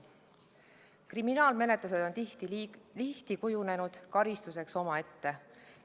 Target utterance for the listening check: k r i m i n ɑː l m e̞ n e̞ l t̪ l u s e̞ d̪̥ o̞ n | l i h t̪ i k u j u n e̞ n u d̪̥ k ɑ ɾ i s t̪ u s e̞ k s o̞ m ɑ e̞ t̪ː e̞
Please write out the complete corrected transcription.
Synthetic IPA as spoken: k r i m i n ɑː l m e̞ n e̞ t̪ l u s e̞ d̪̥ o̞ n | l i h t̪ i k u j u n e̞ n u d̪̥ k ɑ ɾ i s t̪ u s e̞ k s o̞ m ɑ e̞ t̪ː e̞

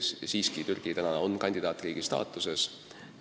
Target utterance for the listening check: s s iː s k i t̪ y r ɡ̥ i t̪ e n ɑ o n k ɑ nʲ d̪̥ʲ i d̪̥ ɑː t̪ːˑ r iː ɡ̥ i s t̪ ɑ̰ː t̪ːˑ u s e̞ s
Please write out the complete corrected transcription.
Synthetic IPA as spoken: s s iː s k i t̪ y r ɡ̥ i t̪ æ n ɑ o n k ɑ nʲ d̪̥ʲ i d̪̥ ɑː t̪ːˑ r iː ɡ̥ i s t̪ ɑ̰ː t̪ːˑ u s e̞ s

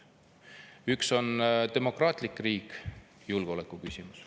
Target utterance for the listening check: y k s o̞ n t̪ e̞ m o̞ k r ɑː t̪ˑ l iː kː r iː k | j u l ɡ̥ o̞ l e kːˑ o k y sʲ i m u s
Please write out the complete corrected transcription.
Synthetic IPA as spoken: y k s o̞ n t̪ e̞ m o̞ k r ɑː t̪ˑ l i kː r iː k | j u l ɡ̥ o̞ l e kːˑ u k y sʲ i m u s

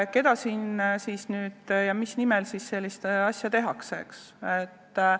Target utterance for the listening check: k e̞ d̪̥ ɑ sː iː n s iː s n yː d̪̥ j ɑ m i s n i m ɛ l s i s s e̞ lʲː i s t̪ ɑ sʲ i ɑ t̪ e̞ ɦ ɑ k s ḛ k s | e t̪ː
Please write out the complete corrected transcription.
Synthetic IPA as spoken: k e̞ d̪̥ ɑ s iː n s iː s n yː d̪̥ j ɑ m i s n i m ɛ l s i s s e̞ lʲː i s t̪ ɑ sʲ j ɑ t̪ e̞ ɦ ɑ k s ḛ k s | e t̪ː

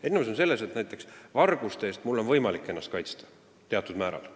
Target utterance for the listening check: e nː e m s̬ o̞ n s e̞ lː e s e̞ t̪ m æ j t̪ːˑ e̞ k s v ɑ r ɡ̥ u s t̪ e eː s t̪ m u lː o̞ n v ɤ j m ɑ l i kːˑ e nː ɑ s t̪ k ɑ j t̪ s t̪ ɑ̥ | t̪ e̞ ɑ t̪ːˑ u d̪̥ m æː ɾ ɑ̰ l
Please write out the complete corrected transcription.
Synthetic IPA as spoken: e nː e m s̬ o̞ n s e̞ lː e s e̞ t̪ n æ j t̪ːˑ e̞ k s v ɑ r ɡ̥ u s t̪ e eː s t̪ m u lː o̞ n v ɤ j m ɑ l i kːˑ e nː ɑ s t̪ k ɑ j t̪ s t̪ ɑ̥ | t̪ e̞ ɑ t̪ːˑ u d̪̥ m æː ɾ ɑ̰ l

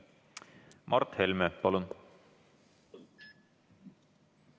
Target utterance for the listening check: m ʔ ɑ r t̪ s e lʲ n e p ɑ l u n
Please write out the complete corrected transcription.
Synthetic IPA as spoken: m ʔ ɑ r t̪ h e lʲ m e p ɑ l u n

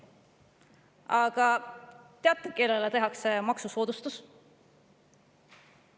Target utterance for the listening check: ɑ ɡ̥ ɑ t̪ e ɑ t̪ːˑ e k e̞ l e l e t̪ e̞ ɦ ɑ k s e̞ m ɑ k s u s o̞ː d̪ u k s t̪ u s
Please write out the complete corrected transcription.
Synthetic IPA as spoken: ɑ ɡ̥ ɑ t̪ e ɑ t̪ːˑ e k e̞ l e l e t̪ e̞ ɦ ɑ k s e̞ m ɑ k s u s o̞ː d̪ u s t̪ u s

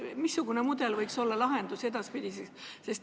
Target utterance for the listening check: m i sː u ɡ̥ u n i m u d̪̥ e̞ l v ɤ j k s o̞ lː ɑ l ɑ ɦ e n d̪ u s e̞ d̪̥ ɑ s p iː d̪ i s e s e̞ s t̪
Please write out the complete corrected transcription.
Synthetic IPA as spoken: m i sː u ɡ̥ u n e m u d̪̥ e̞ l v ɤ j k s o̞ lː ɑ l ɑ ɦ e n d̪ u s e̞ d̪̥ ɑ s p i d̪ i s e s e̞ s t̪

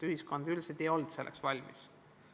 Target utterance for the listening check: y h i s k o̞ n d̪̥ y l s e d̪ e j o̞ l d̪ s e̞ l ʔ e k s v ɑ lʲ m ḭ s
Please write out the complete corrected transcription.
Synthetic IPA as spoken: y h i s k o̞ n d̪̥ y l s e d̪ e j o̞ l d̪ s e̞ l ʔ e k s v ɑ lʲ m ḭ s

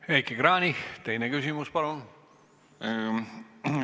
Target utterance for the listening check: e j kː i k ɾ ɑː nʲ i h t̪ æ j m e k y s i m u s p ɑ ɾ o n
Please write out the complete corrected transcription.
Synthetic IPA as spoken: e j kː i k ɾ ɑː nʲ i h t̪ e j n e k y s i m u s p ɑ ɾ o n

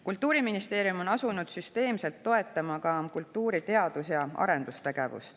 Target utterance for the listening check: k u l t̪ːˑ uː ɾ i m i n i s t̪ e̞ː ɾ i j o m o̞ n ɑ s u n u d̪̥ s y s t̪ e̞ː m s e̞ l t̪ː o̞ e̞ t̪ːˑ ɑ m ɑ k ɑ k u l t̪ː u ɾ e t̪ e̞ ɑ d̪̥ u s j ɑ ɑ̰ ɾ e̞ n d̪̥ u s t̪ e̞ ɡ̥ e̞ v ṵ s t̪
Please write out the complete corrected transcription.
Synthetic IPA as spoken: k u l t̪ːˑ uː ɾ i m i n i s t̪ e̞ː ɾ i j u m o̞ n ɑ s u n u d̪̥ s y s t̪ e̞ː m s e̞ l t̪ː o̞ e̞ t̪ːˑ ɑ m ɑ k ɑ k u l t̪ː uː ɾ i t̪ e̞ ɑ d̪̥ u s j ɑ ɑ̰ ɾ e̞ n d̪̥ u s t̪ e̞ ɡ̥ e̞ v ṵ s t̪

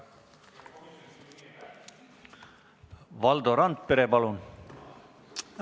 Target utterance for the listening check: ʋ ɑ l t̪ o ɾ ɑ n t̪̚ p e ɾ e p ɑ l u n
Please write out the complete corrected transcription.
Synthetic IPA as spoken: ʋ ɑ l d̪ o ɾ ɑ n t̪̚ p e ɾ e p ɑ l u n

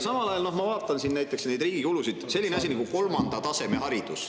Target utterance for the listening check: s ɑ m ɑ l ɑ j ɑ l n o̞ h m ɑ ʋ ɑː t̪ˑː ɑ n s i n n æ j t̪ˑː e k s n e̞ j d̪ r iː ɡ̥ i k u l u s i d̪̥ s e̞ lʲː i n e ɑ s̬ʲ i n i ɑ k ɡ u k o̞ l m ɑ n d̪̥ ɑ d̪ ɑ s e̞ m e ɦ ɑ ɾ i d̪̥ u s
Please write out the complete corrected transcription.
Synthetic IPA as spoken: s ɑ m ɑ l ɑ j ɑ l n o̞ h m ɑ v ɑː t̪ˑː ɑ n s i n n æ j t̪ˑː e k s n e̞ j d̪ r iː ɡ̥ i k u l u s i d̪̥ s e̞ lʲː i n e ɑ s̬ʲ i n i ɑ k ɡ u k o̞ l m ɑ n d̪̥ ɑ t̪ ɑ s e̞ m e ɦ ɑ ɾ i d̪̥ u s

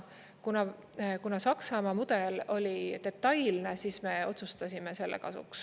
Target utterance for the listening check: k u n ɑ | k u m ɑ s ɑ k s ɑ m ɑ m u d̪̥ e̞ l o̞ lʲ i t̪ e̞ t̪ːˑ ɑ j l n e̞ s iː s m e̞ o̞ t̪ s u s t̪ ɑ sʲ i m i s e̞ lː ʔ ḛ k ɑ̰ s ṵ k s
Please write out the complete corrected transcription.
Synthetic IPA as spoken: k u n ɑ | k u n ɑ s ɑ k s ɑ m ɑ m u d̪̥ e̞ l o̞ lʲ i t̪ e̞ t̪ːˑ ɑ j l n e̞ s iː s m e̞ o̞ t̪ s u s t̪ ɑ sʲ i m e s e̞ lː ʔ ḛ k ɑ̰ s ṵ k s

